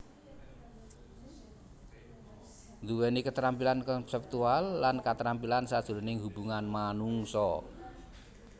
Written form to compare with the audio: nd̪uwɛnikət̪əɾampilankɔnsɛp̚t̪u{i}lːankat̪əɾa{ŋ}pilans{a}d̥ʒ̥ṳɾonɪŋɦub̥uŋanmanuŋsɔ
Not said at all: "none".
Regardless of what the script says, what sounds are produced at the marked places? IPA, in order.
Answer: a, m, a

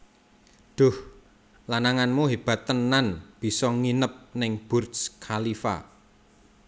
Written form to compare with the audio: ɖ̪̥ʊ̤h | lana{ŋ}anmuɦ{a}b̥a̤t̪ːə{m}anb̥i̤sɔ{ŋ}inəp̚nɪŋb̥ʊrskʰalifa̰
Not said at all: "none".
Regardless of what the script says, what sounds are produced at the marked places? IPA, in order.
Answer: ŋ, e, n, ŋ

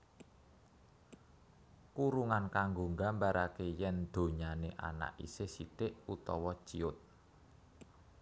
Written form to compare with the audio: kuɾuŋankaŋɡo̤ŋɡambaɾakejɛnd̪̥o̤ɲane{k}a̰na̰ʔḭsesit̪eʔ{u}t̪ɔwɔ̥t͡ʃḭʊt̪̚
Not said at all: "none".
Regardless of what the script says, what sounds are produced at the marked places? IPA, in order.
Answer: ʔ, u

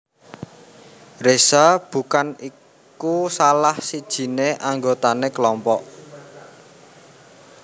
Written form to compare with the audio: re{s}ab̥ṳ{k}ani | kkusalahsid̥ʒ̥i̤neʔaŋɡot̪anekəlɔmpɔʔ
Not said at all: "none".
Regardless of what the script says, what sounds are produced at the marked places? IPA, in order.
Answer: s, k

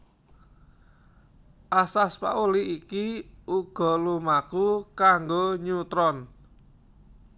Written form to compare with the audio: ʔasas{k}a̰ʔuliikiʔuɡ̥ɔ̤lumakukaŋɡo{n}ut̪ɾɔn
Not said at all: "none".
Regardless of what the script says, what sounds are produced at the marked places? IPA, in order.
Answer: p, ɲ

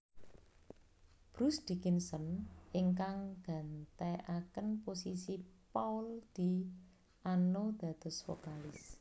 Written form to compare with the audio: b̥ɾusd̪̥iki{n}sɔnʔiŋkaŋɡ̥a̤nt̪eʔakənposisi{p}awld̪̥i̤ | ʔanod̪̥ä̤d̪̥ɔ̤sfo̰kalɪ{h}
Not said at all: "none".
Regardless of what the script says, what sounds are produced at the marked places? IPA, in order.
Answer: n, p, s

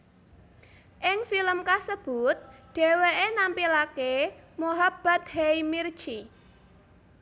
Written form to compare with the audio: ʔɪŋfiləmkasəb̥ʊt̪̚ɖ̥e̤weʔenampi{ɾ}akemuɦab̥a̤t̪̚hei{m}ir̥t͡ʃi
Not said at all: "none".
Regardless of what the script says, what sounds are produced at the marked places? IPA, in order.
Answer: l, m

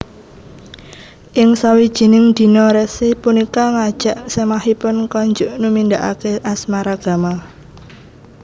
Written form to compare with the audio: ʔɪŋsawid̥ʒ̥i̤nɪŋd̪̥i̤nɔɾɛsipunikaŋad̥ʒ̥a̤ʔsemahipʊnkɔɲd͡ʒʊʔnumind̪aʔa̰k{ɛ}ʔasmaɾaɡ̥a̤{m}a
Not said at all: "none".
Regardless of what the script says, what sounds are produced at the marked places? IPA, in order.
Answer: e, m

